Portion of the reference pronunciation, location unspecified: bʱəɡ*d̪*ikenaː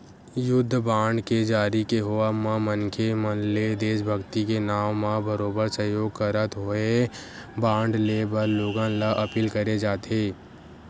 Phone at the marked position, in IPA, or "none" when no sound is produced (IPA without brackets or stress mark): t̪